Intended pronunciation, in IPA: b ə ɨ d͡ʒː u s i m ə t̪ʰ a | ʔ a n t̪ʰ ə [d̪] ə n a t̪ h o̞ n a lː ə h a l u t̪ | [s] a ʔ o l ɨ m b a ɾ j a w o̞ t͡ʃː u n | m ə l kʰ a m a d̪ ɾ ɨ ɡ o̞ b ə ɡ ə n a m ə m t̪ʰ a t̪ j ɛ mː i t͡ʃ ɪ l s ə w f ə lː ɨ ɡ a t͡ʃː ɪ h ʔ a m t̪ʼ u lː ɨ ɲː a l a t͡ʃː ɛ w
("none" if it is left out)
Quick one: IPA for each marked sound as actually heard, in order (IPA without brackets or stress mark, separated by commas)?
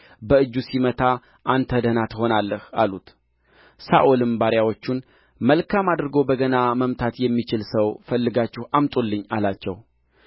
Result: d̪, s